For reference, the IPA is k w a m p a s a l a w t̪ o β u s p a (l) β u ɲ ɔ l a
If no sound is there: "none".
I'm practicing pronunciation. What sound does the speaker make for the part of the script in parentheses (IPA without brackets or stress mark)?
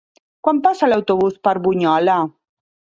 ɾ